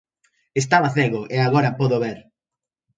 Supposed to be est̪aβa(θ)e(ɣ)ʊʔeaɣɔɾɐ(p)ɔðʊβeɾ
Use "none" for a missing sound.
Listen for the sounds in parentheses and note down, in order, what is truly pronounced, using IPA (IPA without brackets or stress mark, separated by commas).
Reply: θ, ɣ, p